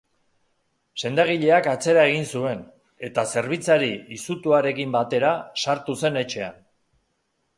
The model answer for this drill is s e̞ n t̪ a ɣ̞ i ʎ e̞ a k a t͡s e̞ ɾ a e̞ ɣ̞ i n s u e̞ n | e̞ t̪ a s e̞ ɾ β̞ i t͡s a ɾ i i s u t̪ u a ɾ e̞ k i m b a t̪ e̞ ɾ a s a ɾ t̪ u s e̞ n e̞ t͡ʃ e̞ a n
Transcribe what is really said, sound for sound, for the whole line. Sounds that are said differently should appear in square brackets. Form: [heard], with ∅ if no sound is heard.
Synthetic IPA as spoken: s e̞ n [d̪] a ɣ̞ i ʎ e̞ a k a t͡s e̞ ɾ a e̞ ɣ̞ i n s u e̞ n | e̞ t̪ a s e̞ ɾ β̞ i t͡s a ɾ i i s u t̪ u a ɾ e̞ k i m b a t̪ e̞ ɾ a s a ɾ t̪ u s e̞ n e̞ t͡ʃ e̞ a n